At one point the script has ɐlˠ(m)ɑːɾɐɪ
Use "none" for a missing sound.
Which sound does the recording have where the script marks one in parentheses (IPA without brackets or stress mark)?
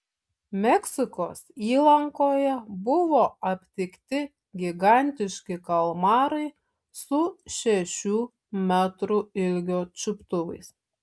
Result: m